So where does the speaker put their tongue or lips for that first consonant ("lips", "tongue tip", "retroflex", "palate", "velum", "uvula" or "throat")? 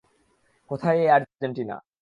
velum